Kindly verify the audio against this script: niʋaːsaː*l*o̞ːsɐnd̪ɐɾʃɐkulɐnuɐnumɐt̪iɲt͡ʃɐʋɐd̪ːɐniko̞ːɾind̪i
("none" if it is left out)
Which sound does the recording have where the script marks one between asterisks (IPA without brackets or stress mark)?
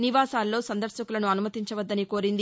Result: lː